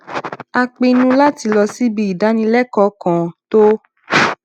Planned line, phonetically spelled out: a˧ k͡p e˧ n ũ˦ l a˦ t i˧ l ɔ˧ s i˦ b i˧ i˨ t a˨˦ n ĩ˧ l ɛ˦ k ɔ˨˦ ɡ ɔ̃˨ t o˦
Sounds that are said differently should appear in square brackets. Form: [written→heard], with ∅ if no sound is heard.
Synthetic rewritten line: a˧ k͡p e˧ n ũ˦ l a˦ t i˧ l ɔ˧ s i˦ b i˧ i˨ [t→d] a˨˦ n ĩ˧ l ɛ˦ k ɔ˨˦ [ɡ→k] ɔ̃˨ t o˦